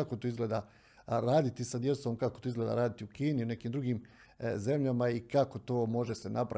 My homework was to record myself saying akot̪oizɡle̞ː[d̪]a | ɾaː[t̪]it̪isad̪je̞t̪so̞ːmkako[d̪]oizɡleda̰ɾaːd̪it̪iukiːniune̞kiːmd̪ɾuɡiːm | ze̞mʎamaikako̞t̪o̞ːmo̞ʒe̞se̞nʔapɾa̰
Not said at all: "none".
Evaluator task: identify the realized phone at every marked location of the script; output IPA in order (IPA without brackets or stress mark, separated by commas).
d̪, d̪, t̪